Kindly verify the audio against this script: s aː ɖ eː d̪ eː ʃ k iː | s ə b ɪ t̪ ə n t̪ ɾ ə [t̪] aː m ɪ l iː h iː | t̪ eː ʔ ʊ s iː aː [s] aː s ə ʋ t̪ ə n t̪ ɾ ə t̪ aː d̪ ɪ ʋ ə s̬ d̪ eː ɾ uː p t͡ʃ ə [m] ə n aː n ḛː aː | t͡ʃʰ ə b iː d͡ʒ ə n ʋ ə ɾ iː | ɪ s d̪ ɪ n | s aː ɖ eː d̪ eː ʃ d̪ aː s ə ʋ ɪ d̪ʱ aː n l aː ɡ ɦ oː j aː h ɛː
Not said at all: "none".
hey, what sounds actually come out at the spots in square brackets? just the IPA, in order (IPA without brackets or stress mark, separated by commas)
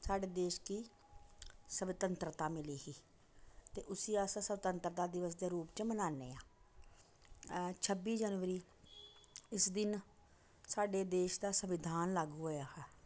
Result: t̪, s, m